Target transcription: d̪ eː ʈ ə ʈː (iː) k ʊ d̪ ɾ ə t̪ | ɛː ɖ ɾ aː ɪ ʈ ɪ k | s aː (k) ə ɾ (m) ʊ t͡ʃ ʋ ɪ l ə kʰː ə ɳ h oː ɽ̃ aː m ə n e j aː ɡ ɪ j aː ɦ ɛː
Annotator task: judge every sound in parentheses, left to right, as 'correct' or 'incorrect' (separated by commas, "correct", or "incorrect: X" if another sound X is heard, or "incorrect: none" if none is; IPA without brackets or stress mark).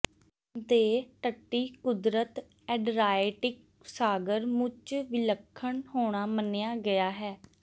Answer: correct, incorrect: ɡ, correct